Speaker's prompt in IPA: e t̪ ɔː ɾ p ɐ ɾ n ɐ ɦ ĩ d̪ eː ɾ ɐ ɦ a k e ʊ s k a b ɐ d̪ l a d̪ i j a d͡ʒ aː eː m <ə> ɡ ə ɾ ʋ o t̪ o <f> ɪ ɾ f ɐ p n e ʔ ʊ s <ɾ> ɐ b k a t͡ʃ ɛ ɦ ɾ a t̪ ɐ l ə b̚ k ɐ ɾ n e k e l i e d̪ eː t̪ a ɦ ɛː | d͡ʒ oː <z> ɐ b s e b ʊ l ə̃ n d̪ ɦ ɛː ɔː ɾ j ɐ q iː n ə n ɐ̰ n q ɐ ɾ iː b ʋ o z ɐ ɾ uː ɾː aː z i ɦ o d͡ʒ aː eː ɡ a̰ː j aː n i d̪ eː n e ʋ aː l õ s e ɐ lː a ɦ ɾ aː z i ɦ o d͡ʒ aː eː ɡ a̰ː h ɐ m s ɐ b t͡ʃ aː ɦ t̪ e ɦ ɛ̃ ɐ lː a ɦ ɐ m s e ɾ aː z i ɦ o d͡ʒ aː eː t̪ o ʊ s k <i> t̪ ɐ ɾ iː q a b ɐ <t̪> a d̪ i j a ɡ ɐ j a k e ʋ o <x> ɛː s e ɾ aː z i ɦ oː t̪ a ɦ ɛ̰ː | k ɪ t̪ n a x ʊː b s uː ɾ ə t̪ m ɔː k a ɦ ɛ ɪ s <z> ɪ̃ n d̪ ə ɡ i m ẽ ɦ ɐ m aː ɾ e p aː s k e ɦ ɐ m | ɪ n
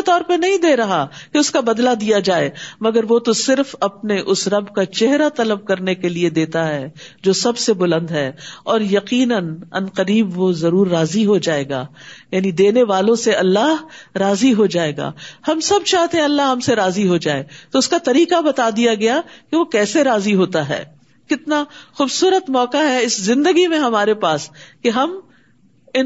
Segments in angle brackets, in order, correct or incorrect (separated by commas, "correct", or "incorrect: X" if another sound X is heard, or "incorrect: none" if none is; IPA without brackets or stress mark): incorrect: ɐ, incorrect: s, correct, incorrect: s, incorrect: a, correct, incorrect: k, correct